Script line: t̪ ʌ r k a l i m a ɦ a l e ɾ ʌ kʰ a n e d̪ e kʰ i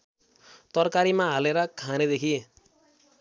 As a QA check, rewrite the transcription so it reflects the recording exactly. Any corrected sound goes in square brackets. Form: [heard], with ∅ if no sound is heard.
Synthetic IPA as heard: t̪ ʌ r k a [ɾ] i m a ɦ a l e ɾ ʌ kʰ a n e d̪ e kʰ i